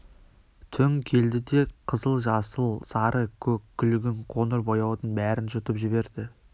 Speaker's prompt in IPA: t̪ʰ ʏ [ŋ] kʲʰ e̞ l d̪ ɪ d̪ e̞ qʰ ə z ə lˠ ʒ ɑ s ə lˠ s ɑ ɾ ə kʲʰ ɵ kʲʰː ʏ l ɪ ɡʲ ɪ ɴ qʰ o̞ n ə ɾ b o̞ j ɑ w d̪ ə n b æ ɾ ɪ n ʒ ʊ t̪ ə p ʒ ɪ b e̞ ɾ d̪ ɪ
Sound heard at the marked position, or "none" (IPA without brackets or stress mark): ŋ